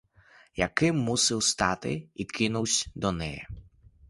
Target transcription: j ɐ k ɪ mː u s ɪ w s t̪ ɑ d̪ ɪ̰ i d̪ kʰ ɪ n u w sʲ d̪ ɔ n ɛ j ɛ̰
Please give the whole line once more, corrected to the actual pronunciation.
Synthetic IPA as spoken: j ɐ k ɪ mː u s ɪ w s t̪ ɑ t̪ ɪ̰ i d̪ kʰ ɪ n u w sʲ d̪ ɔ n ɛ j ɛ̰